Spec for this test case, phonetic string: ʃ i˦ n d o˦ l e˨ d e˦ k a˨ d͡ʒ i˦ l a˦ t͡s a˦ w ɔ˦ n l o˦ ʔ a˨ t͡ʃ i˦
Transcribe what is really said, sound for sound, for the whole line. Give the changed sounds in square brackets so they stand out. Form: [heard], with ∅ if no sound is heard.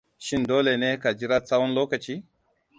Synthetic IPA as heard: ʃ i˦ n d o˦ l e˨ [n] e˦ k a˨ d͡ʒ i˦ [ɾ] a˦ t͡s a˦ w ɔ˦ n l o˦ [k] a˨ t͡ʃ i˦